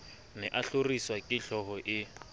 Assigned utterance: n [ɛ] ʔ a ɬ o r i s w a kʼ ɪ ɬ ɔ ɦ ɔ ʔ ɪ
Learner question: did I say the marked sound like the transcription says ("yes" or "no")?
yes